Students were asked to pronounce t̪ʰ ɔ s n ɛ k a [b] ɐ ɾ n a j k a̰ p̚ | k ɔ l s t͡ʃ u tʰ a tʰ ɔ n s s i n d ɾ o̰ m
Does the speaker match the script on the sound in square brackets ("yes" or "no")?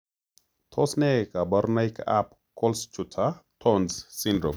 yes